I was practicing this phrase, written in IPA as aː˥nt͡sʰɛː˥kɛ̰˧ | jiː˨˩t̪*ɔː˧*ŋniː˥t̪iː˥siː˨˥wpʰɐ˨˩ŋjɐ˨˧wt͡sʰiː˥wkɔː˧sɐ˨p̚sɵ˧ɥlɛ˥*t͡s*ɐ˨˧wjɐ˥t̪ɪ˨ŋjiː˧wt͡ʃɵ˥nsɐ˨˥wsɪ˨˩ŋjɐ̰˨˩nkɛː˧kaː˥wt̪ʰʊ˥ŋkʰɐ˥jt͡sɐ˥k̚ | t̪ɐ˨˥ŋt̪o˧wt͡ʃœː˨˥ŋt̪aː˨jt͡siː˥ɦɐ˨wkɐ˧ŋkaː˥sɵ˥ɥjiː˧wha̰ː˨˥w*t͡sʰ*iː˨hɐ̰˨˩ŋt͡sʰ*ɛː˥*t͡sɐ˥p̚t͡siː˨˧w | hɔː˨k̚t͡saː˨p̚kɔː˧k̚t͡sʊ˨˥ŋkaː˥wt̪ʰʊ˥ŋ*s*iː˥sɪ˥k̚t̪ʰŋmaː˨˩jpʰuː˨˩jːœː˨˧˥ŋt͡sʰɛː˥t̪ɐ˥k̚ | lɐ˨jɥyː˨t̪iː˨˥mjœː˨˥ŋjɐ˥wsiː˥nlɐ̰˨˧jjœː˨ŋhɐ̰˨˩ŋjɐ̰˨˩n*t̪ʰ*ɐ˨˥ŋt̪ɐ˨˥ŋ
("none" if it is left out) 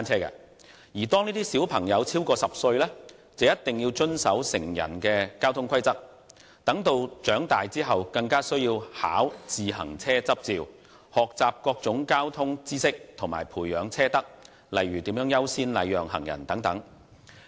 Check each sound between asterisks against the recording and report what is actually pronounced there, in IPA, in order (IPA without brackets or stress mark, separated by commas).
ɔː˥, t͡s, t͡s, ɛː˥, t͡s, t̪